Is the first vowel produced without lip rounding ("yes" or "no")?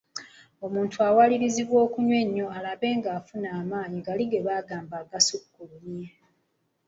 no